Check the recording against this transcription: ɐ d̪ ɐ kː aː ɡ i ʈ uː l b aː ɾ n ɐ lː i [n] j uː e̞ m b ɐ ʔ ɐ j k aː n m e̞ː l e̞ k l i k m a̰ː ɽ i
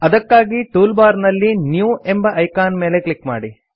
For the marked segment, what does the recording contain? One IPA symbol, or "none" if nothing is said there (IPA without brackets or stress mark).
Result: n